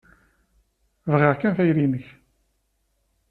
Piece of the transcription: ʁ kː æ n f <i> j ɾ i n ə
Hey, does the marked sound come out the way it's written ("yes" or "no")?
no